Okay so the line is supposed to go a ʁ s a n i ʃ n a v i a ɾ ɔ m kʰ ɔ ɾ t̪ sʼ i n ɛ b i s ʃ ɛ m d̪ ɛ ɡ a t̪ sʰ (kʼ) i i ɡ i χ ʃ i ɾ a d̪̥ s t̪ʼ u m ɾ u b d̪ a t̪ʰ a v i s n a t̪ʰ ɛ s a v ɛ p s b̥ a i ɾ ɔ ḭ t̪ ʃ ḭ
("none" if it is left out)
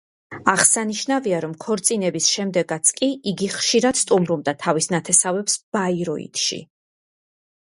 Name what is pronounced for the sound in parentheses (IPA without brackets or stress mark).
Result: kʼ